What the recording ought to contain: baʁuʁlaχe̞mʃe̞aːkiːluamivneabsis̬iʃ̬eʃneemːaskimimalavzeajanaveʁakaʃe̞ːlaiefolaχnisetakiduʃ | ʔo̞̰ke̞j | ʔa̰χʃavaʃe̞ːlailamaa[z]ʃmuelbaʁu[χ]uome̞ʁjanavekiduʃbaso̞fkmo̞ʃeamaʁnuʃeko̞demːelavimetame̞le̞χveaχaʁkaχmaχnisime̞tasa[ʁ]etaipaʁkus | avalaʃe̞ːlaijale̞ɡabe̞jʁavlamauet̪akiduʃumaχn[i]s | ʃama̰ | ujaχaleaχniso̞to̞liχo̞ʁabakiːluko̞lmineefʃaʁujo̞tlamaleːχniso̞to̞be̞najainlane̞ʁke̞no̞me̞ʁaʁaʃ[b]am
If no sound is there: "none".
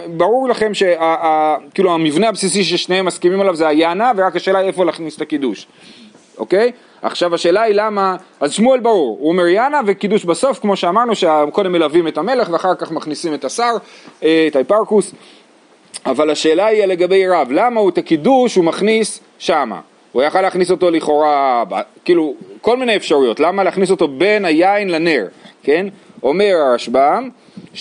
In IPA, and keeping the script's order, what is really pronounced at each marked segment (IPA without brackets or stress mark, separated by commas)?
z, ʁ, ʁ, i, b